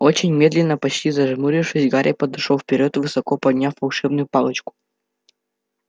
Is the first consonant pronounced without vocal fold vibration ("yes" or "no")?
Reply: yes